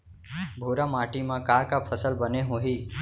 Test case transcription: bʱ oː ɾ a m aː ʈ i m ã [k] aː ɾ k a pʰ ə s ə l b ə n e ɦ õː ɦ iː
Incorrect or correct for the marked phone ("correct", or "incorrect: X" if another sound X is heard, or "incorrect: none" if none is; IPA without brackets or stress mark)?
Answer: correct